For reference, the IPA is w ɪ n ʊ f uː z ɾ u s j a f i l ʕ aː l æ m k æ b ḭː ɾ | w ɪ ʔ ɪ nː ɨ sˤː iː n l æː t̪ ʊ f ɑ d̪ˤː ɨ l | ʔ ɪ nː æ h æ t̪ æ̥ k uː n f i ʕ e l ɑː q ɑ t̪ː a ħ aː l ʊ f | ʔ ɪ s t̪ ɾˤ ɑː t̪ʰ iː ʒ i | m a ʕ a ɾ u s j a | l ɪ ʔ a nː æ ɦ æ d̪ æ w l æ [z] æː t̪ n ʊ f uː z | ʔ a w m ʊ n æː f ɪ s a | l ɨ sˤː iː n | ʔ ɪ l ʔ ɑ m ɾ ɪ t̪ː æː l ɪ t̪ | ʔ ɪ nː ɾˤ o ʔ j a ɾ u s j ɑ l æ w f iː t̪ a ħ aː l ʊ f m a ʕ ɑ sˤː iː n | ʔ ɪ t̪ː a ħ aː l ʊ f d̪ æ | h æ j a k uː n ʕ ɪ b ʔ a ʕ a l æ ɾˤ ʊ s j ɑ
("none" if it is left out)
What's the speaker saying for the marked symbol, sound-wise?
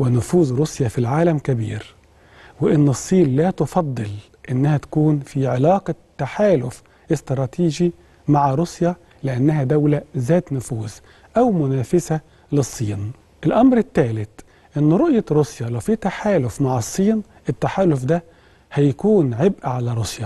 z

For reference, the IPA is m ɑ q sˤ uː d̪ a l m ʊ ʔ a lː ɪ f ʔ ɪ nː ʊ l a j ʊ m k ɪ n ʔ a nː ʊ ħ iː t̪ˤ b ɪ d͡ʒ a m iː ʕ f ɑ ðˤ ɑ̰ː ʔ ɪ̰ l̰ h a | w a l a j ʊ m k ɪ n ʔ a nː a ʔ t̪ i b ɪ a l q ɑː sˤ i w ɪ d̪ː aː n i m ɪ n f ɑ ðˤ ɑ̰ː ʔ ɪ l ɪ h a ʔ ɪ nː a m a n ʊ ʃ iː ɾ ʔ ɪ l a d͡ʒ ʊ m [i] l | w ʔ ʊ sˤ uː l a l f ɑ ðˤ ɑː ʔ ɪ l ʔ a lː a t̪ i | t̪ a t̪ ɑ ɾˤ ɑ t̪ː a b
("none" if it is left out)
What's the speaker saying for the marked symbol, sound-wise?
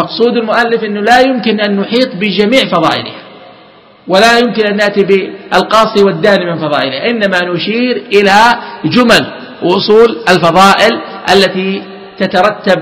a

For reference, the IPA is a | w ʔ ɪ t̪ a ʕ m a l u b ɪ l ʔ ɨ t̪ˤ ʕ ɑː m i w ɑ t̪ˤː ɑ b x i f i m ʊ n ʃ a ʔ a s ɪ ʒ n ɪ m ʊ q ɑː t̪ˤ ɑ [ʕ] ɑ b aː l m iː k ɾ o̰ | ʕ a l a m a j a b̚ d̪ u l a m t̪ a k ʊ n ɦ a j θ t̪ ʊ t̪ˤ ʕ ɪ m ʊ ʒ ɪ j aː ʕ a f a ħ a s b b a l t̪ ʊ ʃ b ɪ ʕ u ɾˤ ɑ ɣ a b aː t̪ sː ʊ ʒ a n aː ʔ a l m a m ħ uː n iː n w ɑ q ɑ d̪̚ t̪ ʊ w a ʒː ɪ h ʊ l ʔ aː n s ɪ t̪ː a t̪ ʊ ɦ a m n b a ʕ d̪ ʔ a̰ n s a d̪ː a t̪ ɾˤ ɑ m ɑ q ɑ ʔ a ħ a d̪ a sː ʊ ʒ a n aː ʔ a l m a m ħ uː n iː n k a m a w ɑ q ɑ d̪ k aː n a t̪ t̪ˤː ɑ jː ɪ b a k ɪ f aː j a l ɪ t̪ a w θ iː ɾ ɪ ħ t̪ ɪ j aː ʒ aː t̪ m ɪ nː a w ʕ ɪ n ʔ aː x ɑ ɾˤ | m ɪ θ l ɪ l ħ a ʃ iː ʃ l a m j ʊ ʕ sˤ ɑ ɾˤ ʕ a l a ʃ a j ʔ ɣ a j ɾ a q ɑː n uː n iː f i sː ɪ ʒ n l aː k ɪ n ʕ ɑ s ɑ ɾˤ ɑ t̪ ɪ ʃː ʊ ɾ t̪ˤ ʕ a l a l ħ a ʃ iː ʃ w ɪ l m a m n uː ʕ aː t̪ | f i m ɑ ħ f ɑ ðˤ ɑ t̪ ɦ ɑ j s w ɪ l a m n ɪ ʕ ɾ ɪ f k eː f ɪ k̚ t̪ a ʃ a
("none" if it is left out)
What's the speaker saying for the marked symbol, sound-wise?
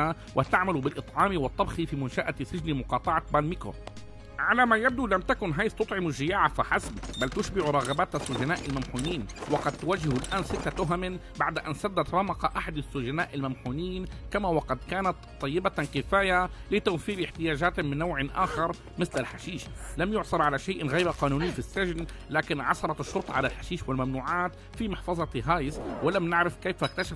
ʕ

